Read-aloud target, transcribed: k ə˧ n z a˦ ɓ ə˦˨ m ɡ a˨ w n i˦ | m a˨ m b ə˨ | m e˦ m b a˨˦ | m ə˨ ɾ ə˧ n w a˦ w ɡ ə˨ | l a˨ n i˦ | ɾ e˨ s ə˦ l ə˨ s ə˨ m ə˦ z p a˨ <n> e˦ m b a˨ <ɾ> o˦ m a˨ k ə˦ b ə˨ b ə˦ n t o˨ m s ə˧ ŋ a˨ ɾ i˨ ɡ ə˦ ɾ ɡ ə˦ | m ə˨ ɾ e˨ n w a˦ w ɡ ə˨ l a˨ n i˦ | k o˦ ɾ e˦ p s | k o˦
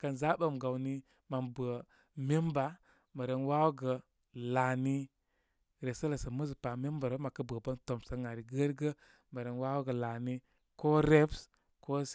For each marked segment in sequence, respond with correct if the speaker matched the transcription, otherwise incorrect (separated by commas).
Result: incorrect, correct